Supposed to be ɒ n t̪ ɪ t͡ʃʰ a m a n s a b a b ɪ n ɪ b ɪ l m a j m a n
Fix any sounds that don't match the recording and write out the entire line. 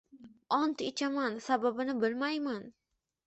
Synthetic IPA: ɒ n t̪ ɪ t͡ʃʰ a m a n s a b a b ɪ n ɪ b ɪ l m a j m a n